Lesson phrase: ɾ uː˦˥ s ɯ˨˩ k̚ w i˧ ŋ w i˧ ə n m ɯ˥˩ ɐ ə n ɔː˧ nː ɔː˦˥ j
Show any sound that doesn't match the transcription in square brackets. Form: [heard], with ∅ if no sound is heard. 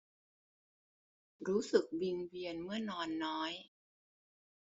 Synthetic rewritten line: ɾ uː˦˥ s ɯ˨˩ k̚ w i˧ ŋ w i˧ ə n m ɯ˥˩ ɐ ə n ɔː˧ nː ɔː˦˥ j